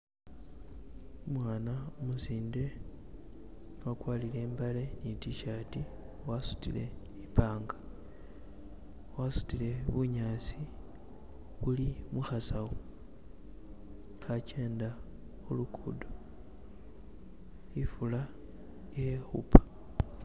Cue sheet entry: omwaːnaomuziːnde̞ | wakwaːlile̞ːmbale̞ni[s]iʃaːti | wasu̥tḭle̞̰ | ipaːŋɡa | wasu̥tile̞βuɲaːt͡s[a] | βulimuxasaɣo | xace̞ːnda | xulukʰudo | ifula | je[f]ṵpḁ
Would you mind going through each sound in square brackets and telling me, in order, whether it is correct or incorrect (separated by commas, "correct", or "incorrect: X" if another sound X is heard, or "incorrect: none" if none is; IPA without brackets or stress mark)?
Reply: incorrect: t, incorrect: i, incorrect: x